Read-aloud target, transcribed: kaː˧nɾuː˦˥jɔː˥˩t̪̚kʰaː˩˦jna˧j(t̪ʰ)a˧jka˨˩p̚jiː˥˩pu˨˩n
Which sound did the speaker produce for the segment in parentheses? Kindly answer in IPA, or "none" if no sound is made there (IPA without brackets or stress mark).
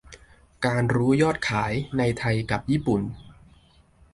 t̪ʰ